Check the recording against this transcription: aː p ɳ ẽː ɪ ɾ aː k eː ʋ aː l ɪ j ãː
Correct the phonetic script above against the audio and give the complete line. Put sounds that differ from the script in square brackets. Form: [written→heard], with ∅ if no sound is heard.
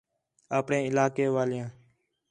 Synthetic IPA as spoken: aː p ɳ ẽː ɪ [ɾ→l] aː k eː ʋ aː l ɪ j ãː